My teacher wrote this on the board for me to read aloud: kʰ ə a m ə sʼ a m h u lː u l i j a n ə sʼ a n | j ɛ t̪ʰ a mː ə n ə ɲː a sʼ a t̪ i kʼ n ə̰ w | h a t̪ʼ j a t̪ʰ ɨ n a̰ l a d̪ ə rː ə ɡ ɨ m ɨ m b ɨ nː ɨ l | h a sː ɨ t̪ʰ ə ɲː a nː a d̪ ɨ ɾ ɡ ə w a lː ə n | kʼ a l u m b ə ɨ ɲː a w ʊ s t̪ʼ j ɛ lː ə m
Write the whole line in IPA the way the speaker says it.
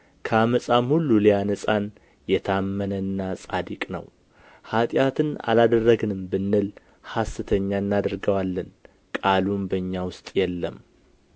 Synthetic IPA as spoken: kʰ ə a m ə sʼ a m h u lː u l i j a n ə sʼ a n | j ɛ t̪ʰ a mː ə n ə nː a sʼ a d̪ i kʼ n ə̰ w | h a t̪ʼ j a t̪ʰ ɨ n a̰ l a d̪ ə rː ə ɡ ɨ n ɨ m b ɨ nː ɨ l | h a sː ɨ t̪ʰ ə ɲː a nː a d̪ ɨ ɾ ɡ ə w a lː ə n | kʼ a l u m b ə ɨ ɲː a w ʊ s t̪ʼ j ɛ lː ə m